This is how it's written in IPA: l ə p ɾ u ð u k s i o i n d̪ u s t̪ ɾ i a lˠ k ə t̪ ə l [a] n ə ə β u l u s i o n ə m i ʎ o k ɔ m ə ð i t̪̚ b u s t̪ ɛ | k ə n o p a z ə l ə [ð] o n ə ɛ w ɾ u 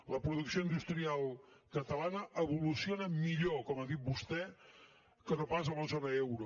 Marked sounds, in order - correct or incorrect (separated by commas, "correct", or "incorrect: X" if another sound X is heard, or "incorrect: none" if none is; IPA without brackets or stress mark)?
correct, incorrect: z